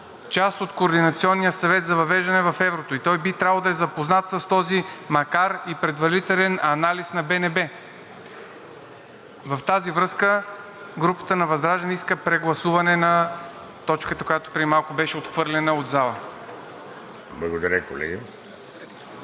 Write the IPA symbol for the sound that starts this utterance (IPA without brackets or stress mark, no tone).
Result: t͡ʃ